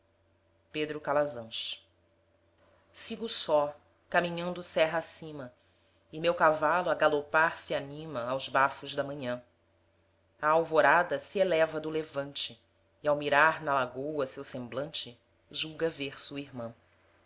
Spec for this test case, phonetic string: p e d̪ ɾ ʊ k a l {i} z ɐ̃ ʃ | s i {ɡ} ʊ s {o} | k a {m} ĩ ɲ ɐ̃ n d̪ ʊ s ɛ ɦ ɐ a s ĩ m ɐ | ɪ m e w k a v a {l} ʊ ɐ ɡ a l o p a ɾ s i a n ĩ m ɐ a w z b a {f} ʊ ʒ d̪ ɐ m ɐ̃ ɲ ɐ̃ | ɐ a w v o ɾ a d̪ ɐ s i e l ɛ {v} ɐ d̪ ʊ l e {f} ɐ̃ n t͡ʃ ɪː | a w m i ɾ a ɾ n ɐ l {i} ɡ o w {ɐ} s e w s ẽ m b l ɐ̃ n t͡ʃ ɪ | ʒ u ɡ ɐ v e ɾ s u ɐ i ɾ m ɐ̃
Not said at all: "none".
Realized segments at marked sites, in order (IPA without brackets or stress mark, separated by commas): a, ɡ, ɔ, m, l, f, v, v, a, ɐ